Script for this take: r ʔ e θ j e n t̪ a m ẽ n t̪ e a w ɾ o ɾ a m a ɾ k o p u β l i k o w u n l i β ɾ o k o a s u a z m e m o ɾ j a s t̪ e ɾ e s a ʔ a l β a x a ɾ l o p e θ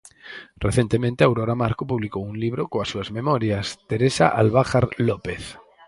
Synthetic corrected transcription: r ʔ e θ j e n t̪ e m ẽ n t̪ e a w ɾ o ɾ a m a ɾ k o p u β l i k o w u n l i β ɾ o k o a s u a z m e m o ɾ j a s t̪ e ɾ e s a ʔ a l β a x a ɾ l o p e θ